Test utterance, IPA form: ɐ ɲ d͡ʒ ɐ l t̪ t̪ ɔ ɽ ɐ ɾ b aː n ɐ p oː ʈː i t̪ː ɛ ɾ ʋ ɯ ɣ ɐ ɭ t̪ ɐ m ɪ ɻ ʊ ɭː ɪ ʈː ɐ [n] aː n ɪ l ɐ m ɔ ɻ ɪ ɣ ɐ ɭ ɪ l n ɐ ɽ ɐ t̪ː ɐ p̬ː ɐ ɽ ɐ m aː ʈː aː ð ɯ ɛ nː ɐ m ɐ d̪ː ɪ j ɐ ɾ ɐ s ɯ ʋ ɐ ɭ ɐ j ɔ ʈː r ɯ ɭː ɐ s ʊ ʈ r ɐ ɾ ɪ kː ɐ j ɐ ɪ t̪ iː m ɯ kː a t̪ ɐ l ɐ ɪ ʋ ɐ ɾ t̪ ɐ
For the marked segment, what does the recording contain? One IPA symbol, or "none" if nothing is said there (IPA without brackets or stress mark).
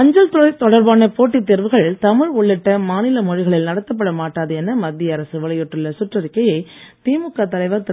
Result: m